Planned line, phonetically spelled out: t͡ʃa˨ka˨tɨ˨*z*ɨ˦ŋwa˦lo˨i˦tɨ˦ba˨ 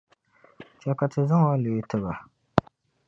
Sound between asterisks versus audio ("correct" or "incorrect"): correct